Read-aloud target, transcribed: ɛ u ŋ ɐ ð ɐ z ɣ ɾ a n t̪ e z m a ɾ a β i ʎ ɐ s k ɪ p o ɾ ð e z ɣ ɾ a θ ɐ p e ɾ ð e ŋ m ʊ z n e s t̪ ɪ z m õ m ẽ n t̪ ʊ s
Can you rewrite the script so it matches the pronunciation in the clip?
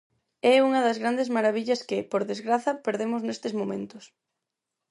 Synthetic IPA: ɛ u ŋ ɐ ð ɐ z ɣ ɾ a n d̪ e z m a ɾ a β i ʎ ɐ s k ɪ p o ɾ ð e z ɣ ɾ a θ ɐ p e ɾ ð e m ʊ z n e s t̪ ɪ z m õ m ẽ n t̪ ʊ s